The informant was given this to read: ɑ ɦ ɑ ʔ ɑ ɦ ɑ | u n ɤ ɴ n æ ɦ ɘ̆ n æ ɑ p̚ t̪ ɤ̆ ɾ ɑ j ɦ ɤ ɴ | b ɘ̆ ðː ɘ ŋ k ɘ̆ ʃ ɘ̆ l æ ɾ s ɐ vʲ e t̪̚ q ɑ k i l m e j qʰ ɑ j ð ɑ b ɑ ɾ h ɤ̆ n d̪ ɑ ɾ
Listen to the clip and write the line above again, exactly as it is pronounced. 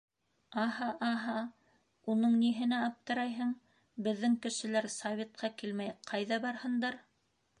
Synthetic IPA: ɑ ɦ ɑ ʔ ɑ ɦ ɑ | u n ɤ ɴ n i ɦ ɘ̆ n æ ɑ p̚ t̪ ɤ̆ ɾ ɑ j ɦ ɤ ɴ | b ɘ̆ ðː ɘ ŋ k ɘ̆ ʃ ɘ̆ l æ ɾ s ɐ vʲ e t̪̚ q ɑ k i l m æ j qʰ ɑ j ð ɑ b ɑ ɾ h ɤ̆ n d̪ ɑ ɾ